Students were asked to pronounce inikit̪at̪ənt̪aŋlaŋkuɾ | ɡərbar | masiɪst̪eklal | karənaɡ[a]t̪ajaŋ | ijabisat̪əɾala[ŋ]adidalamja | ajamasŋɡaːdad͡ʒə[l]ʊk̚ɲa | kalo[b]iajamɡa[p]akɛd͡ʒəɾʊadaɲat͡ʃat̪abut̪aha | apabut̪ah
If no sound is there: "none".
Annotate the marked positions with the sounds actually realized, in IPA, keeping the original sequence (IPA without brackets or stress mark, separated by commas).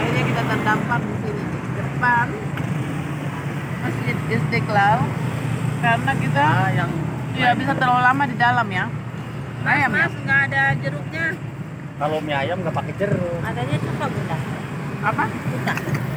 i, m, ɾ, m, p